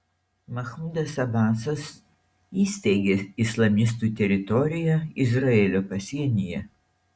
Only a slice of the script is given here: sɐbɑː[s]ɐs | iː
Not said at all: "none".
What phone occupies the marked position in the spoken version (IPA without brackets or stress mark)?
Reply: s